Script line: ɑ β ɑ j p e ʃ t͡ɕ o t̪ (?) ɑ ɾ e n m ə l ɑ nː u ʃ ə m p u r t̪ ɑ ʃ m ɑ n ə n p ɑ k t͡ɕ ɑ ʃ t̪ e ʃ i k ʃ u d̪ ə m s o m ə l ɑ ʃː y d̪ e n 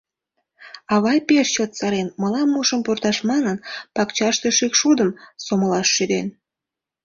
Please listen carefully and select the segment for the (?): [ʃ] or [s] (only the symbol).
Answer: s